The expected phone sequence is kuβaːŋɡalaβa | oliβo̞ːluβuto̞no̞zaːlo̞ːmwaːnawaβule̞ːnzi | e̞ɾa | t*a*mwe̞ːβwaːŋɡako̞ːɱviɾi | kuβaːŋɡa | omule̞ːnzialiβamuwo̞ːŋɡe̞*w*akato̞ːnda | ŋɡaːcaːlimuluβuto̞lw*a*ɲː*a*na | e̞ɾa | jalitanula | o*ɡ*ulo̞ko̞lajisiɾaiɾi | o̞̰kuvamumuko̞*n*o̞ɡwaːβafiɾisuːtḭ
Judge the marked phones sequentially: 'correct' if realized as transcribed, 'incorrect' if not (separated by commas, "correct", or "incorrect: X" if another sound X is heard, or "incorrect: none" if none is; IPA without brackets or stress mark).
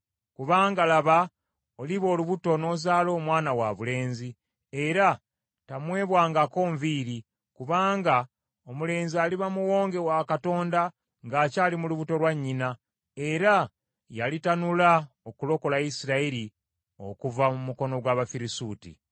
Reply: correct, correct, correct, incorrect: i, incorrect: k, correct